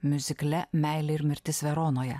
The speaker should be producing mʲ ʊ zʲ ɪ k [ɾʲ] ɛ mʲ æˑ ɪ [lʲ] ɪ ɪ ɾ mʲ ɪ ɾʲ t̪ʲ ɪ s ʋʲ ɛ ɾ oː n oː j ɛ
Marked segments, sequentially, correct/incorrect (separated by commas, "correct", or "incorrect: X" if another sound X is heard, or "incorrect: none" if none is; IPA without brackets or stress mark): incorrect: lʲ, correct